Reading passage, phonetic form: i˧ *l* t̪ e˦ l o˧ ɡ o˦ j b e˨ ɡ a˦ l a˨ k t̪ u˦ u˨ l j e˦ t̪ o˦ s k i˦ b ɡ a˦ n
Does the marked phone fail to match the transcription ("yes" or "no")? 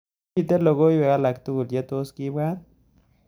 yes